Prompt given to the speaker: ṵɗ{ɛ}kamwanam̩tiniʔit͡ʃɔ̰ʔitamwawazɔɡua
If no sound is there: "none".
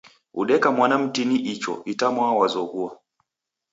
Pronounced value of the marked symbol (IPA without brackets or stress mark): ɛ